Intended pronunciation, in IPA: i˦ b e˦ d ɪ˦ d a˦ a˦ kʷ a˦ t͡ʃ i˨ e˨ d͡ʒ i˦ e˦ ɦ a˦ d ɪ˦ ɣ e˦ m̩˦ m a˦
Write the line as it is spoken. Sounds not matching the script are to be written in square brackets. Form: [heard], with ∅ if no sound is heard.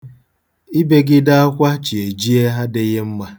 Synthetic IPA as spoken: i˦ b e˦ [ɡ] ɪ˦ d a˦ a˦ kʷ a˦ t͡ʃ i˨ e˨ d͡ʒ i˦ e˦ ɦ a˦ d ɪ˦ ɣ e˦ m̩˦ m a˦